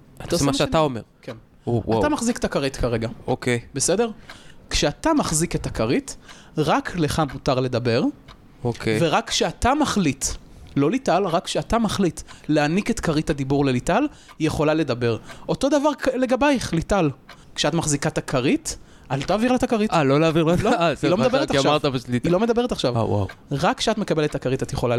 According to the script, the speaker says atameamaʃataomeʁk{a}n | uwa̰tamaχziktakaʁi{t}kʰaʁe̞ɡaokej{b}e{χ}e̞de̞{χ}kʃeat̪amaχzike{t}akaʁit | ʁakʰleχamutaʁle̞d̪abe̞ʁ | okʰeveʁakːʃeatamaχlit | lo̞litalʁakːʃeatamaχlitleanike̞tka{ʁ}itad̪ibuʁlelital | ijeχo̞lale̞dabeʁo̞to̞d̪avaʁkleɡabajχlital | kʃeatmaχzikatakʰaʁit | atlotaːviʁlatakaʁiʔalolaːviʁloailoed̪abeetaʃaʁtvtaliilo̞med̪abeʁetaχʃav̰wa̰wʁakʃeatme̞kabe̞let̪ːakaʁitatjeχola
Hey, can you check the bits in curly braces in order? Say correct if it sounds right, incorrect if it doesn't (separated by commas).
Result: incorrect, correct, correct, incorrect, incorrect, correct, correct